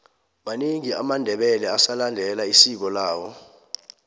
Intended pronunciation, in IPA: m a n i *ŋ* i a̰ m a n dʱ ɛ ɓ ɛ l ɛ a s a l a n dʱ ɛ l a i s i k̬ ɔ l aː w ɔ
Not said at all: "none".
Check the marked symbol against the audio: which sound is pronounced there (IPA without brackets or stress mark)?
ŋ